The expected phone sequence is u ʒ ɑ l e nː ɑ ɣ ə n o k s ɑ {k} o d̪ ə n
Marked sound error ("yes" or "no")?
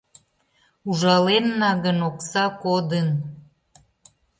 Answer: no